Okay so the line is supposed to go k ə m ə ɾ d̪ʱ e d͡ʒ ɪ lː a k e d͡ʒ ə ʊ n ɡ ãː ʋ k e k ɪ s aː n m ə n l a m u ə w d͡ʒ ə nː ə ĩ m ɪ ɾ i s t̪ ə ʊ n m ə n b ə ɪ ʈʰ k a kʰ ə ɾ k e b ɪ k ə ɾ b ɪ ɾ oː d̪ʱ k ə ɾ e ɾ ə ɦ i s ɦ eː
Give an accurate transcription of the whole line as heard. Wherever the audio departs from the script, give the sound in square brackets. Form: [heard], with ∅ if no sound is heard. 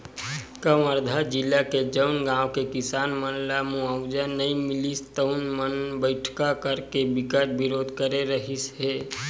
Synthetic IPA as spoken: k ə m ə ɾ d̪ʱ [a] d͡ʒ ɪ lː a k e d͡ʒ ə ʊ n ɡ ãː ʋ k e k ɪ s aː n m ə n l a m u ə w d͡ʒ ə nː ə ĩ m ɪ [l] i s t̪ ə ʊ n m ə n b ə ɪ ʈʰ k a [k] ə ɾ k e b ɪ k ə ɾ b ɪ ɾ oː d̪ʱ k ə ɾ e ɾ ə ɦ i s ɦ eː

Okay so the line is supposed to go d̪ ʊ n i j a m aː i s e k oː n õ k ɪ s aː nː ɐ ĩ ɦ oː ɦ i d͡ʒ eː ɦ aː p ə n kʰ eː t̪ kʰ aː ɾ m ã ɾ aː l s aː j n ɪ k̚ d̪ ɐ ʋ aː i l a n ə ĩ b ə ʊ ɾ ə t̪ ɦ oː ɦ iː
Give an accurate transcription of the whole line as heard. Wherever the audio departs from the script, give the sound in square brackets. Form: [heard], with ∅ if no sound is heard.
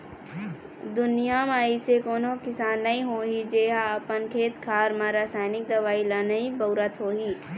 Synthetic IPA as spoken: d̪ ʊ n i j a m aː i s e k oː n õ k ɪ s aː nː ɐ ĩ ɦ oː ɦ i d͡ʒ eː ɦ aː p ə n kʰ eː t̪ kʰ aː ɾ m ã ɾ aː [∅] s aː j n ɪ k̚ d̪ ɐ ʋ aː i l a n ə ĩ b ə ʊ ɾ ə t̪ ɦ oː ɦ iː

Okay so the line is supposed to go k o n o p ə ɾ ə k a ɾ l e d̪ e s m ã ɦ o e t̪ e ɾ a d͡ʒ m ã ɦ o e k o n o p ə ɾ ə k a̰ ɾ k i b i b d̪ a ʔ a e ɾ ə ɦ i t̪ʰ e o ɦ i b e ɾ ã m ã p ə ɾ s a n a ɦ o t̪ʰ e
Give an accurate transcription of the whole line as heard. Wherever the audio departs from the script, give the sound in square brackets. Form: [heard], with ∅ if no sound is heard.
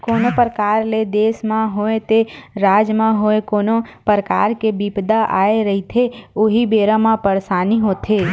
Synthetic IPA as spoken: k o n o p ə ɾ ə k a ɾ l e d̪ e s m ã ɦ o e t̪ e ɾ a d͡ʒ m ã ɦ o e k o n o p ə ɾ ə k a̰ ɾ k [e] b i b d̪ a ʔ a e ɾ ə ɦ i t̪ʰ e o ɦ i b e ɾ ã m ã p ə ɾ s a n [i] ɦ o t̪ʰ e

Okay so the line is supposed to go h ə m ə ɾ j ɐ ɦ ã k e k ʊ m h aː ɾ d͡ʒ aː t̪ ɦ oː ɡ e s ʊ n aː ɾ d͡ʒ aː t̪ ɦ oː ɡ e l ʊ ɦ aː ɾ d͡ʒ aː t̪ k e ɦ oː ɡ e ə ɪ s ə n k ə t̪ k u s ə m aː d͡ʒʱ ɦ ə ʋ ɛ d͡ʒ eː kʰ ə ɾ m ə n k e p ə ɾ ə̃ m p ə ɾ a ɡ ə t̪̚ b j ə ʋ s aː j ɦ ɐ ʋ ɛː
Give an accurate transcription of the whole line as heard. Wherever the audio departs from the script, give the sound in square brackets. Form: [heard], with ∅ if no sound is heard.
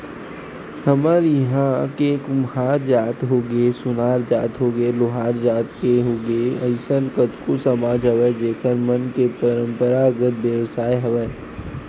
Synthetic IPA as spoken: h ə m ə ɾ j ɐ ɦ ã k e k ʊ m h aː ɾ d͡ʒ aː t̪ ɦ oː ɡ e s ʊ n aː ɾ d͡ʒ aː t̪ ɦ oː ɡ e l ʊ ɦ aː ɾ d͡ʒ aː t̪ k e ɦ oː ɡ e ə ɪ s ə n k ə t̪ k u s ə m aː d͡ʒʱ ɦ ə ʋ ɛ d͡ʒ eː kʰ ə ɾ m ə n k e p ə ɾ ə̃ m p ə ɾ a ɡ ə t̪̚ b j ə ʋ s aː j ɦ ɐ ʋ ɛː

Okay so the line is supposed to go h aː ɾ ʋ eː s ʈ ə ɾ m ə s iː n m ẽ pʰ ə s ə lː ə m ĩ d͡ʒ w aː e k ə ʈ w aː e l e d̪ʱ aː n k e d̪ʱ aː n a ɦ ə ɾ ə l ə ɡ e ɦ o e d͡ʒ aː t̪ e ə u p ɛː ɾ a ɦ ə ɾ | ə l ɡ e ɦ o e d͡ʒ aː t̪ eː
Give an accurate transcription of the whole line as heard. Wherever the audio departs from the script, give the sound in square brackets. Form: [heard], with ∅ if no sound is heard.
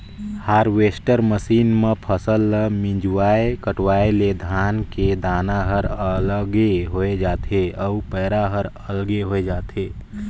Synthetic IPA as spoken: h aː ɾ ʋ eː s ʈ ə ɾ m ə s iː n m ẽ pʰ ə s ə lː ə m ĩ d͡ʒ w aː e k ə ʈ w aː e l e d̪ʱ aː n k e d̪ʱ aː n a ɦ ə ɾ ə l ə ɡ e ɦ o e d͡ʒ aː t̪ e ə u p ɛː ɾ a ɦ ə ɾ | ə l ɡ e ɦ o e d͡ʒ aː t̪ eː

